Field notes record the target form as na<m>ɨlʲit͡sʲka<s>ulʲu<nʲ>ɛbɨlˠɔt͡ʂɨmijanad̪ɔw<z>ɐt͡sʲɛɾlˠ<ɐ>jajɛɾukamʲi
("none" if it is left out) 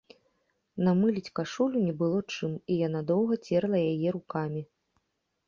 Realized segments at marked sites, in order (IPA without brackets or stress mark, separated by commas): m, ʂ, nʲ, ɣ, ɐ